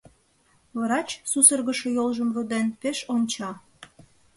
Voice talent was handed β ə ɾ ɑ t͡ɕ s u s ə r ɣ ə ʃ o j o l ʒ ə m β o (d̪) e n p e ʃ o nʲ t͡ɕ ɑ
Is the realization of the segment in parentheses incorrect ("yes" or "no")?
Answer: no